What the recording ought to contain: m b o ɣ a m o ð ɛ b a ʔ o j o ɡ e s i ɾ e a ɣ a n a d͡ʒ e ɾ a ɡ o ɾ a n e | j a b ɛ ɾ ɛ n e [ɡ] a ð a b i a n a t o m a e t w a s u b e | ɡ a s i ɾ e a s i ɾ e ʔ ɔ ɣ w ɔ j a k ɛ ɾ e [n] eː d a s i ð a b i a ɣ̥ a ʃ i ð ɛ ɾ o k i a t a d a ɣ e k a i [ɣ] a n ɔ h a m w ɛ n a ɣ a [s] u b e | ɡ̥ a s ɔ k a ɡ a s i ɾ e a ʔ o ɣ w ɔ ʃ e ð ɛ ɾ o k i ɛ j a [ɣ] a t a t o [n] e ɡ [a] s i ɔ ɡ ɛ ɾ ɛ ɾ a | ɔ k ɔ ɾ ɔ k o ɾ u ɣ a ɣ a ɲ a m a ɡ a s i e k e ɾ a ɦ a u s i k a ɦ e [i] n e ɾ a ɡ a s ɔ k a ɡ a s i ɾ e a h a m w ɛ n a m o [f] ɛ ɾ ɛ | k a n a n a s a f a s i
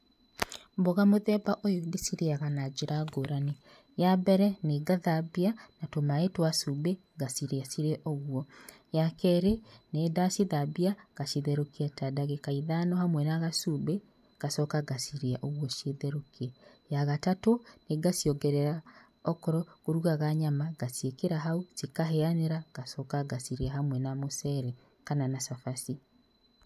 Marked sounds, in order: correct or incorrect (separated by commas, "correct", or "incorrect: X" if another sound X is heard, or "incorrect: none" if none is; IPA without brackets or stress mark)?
correct, correct, incorrect: ð, correct, correct, correct, correct, incorrect: a, incorrect: s